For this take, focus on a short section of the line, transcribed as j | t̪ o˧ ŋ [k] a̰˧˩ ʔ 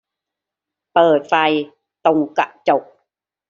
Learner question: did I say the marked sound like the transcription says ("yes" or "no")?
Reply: yes